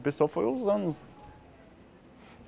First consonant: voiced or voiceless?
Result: voiceless